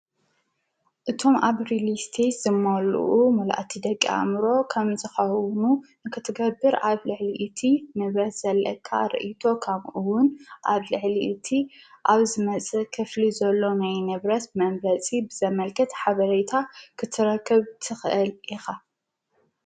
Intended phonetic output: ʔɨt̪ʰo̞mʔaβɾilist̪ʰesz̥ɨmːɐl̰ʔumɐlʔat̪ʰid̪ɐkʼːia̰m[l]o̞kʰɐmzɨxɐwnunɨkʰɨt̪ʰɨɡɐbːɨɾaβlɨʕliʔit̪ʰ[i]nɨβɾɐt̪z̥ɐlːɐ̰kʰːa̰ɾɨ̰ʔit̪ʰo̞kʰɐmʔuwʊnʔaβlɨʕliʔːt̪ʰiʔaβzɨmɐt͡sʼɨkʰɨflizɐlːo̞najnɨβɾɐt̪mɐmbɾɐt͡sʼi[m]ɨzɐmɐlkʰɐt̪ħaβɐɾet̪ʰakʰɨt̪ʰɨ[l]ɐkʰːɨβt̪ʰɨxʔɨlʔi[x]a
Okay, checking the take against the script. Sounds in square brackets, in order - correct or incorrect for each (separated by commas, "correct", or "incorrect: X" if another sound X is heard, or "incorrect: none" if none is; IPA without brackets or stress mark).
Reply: incorrect: ɾ, correct, incorrect: b, incorrect: ɾ, correct